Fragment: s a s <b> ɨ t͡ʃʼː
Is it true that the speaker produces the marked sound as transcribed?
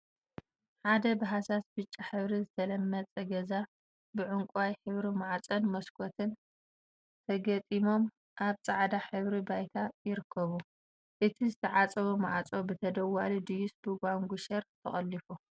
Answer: yes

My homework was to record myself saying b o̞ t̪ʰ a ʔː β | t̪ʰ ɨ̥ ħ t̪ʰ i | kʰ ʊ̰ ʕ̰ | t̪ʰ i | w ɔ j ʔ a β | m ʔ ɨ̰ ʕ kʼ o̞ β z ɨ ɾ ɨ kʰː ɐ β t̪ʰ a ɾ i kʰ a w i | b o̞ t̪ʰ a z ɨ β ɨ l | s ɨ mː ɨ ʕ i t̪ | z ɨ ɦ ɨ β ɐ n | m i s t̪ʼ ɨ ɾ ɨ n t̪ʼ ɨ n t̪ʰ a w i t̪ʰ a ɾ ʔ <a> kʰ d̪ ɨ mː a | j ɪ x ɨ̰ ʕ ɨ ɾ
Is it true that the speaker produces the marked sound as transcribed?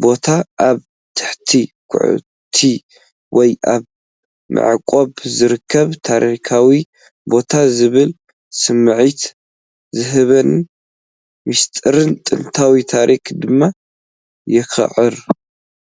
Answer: no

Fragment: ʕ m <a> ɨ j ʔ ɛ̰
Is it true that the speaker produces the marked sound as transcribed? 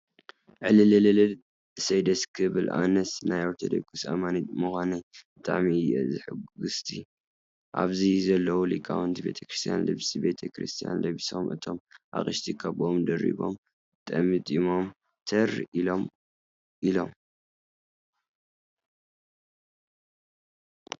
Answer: no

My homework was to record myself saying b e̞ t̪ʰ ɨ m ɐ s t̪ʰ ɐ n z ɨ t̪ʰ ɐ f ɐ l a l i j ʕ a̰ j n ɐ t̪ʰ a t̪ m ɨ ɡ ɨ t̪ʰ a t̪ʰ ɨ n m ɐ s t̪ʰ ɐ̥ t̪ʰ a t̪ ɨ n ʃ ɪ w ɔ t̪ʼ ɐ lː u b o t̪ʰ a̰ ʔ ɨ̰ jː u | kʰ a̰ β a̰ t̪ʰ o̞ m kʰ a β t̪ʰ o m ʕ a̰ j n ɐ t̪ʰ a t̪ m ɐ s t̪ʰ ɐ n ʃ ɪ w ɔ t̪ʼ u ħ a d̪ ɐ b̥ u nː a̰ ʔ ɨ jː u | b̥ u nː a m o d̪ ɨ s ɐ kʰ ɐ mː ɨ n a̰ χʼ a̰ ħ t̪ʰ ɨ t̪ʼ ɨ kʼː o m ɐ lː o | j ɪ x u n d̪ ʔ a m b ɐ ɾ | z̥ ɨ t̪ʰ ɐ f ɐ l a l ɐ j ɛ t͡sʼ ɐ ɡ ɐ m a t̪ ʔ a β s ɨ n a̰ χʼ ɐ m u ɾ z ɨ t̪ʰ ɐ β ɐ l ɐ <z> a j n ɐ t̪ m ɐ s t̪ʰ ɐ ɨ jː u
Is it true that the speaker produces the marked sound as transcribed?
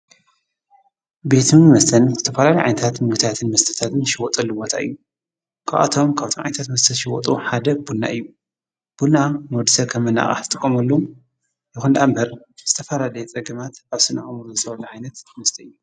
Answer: no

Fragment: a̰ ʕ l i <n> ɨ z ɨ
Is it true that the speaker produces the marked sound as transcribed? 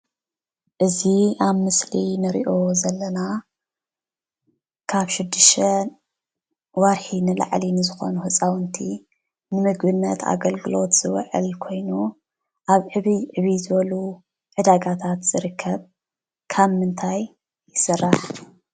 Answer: yes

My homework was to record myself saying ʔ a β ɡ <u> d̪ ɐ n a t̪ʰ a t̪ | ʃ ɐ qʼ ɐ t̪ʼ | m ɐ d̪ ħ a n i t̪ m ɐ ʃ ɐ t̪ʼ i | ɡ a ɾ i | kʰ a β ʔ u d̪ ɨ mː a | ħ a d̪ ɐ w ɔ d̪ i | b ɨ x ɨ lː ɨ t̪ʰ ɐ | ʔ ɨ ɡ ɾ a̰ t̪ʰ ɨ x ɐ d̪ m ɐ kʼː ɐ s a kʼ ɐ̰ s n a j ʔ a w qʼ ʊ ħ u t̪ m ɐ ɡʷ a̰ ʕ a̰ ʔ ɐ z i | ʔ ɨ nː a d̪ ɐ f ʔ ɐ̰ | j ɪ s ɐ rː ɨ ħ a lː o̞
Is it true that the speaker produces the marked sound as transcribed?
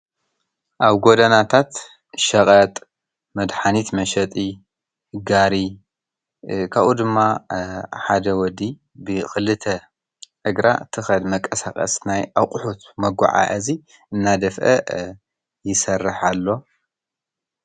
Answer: no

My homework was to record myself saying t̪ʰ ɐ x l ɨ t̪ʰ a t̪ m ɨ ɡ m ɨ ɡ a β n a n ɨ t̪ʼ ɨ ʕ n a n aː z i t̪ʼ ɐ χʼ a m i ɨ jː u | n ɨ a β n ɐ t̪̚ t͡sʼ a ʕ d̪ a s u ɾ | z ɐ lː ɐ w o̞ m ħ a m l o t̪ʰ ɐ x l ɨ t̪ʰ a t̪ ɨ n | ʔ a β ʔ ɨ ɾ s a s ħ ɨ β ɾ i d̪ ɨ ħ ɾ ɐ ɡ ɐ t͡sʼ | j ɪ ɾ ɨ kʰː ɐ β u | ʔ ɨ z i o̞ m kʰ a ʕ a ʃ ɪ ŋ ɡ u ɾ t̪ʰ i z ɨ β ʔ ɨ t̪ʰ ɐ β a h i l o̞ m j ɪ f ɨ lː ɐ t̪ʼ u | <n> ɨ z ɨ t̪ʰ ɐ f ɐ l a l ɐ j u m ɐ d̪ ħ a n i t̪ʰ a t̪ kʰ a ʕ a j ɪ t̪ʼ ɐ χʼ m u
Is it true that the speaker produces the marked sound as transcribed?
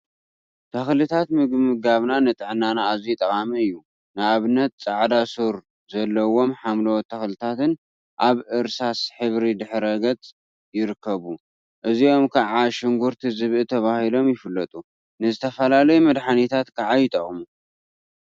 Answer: yes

